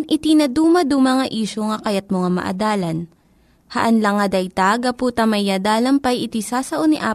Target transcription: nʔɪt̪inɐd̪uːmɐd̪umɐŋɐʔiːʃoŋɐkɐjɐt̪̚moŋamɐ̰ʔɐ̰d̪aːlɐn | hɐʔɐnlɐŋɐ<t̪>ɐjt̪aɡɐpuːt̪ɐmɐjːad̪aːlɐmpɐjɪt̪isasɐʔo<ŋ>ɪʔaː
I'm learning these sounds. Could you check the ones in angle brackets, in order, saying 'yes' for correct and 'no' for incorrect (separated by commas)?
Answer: no, no